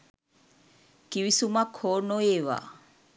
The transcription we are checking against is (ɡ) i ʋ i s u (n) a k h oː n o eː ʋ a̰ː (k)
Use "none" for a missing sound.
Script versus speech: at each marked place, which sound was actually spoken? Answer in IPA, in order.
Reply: k, m, none

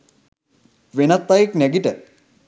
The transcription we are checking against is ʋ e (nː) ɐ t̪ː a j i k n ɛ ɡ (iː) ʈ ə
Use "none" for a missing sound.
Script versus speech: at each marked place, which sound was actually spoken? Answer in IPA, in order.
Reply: n, i

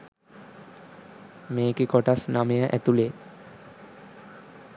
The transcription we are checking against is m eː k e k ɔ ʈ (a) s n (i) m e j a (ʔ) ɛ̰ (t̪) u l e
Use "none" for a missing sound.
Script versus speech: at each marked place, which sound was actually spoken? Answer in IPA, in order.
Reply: a, a, ʔ, t̪

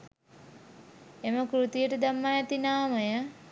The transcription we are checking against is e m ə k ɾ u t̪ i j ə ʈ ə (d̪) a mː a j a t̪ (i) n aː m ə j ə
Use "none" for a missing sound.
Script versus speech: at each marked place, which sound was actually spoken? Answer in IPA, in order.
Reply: d̪, i

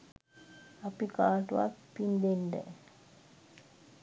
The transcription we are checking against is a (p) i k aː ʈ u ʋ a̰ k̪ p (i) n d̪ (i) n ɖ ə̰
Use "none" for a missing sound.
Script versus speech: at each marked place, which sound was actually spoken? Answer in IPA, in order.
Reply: p, i, e

